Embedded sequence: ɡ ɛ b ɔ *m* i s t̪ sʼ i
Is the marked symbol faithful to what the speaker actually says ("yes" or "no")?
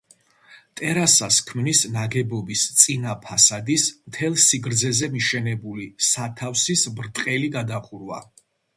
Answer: no